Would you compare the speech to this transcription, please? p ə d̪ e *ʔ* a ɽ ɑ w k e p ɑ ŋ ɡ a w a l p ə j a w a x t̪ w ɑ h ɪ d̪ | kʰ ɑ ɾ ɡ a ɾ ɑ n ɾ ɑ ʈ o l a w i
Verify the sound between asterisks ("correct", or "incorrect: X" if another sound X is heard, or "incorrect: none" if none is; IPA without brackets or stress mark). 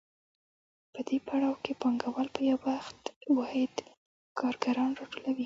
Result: incorrect: p